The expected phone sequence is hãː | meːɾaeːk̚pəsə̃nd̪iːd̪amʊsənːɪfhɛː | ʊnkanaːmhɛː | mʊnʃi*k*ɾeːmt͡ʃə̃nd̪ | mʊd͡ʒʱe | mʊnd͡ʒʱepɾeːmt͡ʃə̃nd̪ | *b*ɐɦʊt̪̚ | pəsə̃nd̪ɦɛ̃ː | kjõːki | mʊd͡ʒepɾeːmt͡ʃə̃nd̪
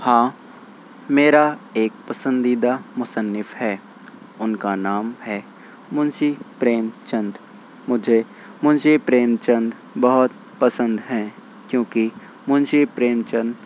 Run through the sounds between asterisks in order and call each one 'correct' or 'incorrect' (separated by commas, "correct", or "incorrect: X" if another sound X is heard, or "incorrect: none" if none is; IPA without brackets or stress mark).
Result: incorrect: p, correct